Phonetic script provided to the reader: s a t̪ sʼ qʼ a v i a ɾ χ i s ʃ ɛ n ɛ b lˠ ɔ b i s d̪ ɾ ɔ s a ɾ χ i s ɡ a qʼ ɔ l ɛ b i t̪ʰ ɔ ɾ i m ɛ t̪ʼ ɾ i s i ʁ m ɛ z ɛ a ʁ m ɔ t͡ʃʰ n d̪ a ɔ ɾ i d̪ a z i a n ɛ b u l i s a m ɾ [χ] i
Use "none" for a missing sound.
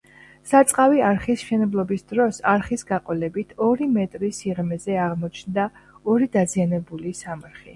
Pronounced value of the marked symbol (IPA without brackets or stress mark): χ